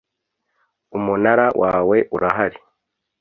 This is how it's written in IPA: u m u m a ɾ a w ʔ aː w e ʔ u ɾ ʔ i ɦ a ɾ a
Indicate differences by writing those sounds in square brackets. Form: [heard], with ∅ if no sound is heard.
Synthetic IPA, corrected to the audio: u m u [n] a ɾ a w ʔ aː w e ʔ u ɾ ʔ [a] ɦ a ɾ [i]